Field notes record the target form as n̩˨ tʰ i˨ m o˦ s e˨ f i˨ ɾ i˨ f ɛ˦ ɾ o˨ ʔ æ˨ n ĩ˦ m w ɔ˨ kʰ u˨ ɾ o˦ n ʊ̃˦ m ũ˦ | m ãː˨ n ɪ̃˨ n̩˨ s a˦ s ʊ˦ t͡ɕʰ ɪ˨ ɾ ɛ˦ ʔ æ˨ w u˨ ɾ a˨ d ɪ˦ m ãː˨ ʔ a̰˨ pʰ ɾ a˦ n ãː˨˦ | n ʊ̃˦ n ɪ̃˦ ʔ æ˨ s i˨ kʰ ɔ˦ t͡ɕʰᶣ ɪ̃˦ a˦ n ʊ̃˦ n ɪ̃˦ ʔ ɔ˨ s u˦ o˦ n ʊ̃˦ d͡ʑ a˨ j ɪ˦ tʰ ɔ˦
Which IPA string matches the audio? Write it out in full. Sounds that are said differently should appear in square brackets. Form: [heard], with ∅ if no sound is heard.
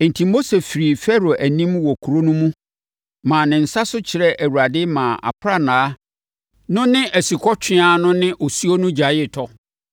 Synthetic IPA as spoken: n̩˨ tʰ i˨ m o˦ s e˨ f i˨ ɾ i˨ f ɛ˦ ɾ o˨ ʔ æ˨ n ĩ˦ m w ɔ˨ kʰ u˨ ɾ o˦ n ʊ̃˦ m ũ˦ | m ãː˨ n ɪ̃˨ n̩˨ s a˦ s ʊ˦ t͡ɕʰ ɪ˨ ɾ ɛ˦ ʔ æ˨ w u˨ ɾ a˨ d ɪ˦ m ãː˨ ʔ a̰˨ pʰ ɾ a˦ n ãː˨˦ | n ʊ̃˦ n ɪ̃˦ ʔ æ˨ s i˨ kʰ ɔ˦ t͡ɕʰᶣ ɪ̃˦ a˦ n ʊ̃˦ n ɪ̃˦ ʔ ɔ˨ s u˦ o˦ n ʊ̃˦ d͡ʑ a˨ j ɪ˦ tʰ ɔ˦